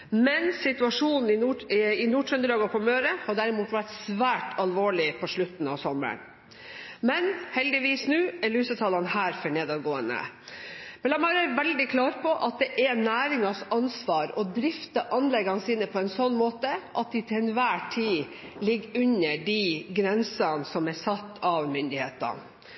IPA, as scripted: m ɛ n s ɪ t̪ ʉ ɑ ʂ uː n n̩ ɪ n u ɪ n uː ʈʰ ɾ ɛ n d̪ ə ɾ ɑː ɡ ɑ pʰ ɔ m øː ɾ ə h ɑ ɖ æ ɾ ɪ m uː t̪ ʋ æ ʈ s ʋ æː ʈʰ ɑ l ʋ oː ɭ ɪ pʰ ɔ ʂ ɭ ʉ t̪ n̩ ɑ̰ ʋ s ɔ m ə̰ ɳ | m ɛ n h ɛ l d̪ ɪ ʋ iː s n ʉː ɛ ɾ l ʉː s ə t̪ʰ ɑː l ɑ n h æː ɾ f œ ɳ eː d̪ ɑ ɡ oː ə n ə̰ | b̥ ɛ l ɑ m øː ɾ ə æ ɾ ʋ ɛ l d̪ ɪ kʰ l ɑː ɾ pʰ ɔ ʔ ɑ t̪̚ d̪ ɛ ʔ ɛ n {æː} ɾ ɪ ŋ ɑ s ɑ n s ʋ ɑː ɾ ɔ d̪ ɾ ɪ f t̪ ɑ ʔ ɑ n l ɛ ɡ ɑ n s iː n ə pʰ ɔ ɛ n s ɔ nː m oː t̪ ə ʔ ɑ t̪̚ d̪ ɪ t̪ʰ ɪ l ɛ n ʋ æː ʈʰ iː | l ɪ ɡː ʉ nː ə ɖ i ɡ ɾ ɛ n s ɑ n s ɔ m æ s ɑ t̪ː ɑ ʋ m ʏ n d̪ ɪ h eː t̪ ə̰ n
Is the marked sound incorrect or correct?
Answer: correct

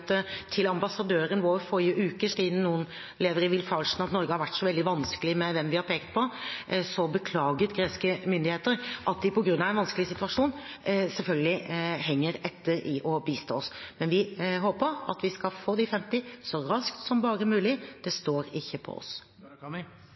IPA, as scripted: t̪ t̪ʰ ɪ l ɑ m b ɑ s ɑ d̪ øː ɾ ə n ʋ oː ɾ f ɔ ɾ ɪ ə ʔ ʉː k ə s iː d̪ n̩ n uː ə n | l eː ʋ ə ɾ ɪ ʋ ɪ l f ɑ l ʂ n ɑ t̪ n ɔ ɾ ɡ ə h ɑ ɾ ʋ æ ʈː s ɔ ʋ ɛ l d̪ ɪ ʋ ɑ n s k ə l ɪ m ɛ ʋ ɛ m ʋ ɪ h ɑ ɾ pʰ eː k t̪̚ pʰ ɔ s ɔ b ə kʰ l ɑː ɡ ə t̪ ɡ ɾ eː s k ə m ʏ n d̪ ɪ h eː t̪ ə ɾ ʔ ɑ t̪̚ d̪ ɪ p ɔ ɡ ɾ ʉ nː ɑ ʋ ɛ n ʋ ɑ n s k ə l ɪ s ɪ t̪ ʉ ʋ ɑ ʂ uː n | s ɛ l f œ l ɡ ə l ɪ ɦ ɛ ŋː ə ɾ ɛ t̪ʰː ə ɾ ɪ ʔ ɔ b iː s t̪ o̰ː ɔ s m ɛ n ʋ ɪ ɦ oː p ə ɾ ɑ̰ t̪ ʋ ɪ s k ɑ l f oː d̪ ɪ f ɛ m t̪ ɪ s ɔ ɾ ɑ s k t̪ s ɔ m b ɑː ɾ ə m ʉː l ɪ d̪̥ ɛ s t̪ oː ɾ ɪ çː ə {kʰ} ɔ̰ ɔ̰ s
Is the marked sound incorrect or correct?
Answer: incorrect: pʰ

